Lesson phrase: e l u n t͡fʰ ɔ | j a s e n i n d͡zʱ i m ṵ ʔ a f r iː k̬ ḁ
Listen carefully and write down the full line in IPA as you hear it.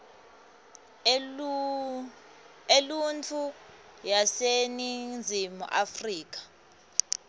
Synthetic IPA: e l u n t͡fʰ u | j a s e n i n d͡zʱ i m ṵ ʔ a f r iː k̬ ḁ